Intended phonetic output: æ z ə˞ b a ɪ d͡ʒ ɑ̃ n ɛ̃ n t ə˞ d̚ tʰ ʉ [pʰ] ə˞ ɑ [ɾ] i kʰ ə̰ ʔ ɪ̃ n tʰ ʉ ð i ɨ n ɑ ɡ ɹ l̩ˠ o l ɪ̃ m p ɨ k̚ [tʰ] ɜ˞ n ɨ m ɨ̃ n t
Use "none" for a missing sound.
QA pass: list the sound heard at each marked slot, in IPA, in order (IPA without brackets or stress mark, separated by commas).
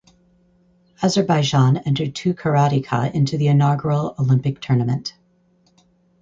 kʰ, ɾ, tʰ